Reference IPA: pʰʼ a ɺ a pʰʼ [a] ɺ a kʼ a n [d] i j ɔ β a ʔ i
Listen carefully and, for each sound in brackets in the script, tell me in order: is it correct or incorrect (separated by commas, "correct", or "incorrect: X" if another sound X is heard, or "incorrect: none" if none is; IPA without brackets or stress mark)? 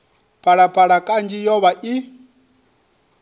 correct, incorrect: d͡ʒ